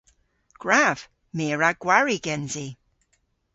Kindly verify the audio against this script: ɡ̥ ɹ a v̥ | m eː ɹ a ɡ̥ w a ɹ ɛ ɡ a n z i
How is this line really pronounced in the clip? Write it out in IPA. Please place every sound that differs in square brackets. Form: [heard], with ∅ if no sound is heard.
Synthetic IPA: ɡ̥ ɹ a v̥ | m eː ɹ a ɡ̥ w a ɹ [i] ɡ [ɛ] n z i